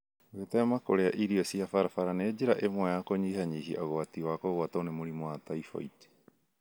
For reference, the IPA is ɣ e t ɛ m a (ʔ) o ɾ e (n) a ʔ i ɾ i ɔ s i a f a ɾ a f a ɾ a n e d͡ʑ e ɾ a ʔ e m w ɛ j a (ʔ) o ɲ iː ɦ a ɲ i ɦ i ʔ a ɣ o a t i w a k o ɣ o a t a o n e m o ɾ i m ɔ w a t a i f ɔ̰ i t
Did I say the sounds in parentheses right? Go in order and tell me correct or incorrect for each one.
incorrect, incorrect, incorrect

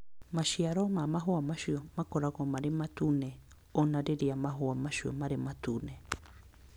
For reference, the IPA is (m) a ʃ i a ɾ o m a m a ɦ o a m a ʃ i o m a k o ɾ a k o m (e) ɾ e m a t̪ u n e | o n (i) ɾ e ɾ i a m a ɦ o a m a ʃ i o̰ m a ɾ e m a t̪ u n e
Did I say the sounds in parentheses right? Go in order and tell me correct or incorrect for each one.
correct, incorrect, incorrect

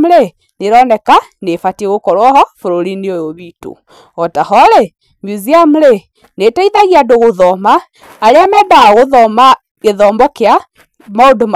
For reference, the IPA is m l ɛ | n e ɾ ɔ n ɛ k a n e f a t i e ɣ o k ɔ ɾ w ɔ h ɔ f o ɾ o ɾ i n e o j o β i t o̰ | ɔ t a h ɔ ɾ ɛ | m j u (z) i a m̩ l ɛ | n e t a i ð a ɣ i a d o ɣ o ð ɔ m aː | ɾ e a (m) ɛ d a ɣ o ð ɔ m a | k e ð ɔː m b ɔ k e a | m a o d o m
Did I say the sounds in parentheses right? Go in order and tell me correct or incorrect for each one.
correct, correct

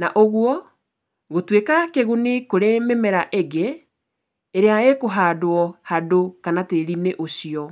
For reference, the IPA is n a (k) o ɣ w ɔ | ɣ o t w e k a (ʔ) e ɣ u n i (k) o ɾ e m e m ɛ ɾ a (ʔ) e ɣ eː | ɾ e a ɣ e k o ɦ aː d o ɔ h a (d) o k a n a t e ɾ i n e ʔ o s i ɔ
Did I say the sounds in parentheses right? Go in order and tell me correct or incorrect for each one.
incorrect, incorrect, correct, correct, correct

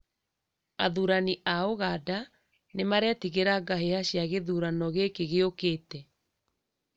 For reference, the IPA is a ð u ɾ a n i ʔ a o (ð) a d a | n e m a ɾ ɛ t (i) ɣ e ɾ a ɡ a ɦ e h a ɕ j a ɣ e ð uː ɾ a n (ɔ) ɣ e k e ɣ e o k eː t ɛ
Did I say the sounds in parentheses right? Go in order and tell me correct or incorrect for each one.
incorrect, correct, correct

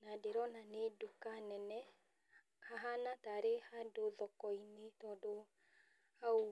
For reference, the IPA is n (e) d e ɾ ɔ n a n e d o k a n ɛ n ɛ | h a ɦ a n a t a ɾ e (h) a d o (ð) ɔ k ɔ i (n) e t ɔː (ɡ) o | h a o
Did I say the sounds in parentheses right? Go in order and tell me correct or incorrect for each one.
incorrect, correct, correct, correct, incorrect

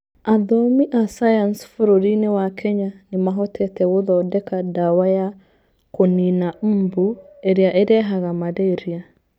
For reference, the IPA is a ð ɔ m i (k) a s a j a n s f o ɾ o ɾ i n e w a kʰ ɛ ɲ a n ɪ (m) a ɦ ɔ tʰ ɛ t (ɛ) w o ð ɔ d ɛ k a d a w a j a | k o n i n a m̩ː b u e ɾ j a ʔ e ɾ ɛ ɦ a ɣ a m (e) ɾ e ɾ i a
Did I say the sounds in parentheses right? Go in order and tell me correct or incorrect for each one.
incorrect, correct, correct, incorrect

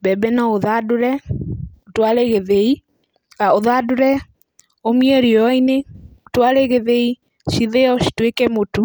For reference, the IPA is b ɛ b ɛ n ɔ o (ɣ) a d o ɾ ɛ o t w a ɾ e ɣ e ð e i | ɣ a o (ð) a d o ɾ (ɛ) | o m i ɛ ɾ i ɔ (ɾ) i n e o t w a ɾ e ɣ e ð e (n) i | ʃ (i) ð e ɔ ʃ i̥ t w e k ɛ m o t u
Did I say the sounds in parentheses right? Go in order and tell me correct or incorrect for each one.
incorrect, correct, correct, incorrect, incorrect, correct

